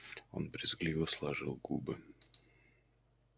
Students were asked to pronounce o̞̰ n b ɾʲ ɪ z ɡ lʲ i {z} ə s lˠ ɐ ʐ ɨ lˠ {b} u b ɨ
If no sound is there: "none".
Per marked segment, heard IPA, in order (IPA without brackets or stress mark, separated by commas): v, ɡ